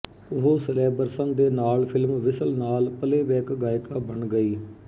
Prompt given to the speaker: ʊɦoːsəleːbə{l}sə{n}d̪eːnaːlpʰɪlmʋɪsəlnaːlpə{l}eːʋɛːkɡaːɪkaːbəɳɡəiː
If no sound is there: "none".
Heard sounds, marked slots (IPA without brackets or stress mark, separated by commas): ɾ, n, l